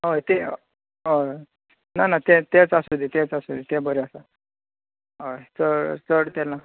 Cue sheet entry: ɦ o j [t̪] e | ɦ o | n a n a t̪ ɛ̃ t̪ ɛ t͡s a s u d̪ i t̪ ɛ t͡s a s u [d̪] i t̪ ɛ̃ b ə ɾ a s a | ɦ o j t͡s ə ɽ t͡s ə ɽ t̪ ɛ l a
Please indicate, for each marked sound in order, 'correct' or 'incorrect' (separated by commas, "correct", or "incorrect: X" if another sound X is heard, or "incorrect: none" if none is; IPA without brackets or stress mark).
correct, correct